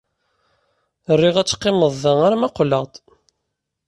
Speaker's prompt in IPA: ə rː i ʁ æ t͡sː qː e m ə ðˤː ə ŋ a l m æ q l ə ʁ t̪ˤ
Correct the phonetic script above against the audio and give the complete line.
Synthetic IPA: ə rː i ʁ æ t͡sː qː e m ə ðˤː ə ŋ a ɾ m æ q l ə ʁ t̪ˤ